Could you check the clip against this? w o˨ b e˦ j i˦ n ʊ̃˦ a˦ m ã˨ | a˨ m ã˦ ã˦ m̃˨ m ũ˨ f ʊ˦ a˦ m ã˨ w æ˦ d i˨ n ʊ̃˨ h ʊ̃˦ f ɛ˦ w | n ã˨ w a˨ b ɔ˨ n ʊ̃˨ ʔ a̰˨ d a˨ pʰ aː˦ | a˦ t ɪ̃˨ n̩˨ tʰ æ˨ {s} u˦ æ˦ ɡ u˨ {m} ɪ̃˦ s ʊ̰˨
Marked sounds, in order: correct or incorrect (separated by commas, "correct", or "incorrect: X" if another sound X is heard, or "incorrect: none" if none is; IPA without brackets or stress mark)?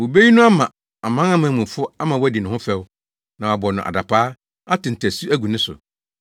correct, incorrect: n